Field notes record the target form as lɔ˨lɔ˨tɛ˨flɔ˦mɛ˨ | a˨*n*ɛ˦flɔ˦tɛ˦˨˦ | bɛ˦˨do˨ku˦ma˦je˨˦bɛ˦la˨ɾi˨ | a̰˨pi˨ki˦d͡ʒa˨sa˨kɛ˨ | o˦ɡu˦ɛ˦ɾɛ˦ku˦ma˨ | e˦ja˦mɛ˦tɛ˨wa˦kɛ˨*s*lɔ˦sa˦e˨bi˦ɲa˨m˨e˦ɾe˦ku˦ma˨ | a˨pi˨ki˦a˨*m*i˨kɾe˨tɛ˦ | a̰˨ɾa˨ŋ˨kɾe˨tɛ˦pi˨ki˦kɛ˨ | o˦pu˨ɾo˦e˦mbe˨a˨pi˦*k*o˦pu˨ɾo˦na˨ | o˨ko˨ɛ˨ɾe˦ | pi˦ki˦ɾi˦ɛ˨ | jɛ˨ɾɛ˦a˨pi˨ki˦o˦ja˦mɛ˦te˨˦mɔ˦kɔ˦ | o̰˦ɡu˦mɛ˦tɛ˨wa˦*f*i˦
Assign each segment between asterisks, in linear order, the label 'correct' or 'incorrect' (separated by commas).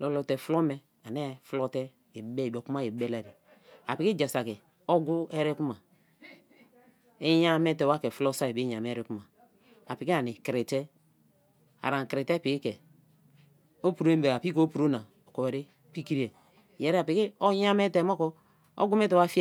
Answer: correct, incorrect, incorrect, correct, correct